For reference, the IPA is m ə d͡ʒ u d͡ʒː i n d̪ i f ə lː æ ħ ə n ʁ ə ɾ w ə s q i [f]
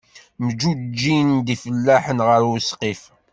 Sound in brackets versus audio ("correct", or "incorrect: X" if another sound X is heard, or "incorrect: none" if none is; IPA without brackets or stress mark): correct